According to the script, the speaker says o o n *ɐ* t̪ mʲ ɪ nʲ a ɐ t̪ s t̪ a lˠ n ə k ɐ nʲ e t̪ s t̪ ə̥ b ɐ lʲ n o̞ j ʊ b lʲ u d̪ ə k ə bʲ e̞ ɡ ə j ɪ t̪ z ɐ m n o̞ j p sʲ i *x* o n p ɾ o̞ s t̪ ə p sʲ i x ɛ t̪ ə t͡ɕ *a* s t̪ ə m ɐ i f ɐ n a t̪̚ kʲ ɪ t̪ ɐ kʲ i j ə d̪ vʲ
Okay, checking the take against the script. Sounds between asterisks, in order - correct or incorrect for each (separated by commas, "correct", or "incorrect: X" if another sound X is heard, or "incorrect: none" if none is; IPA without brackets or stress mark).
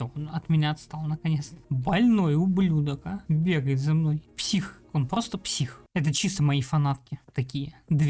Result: correct, correct, incorrect: i